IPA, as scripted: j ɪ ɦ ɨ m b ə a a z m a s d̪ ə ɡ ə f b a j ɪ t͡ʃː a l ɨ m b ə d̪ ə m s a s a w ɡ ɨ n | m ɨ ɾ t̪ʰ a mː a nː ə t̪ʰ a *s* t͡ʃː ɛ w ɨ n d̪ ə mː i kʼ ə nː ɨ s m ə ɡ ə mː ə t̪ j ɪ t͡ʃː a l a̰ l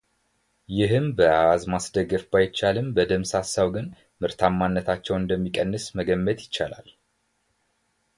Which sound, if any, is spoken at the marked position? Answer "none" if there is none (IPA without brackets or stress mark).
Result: none